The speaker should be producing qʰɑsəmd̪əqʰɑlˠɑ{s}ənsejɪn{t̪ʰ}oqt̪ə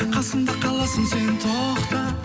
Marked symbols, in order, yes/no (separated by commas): yes, yes